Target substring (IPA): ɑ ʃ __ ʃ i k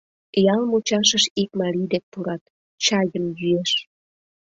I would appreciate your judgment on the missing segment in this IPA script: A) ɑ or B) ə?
B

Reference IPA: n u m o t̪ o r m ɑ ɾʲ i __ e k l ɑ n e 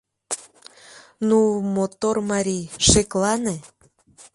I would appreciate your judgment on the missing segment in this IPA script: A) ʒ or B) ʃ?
B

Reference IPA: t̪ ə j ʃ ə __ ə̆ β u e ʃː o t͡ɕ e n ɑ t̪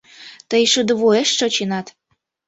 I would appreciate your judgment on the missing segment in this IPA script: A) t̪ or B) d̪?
B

